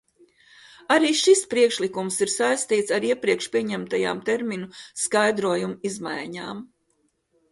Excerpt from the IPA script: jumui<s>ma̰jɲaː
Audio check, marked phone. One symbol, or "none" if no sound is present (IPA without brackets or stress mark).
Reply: z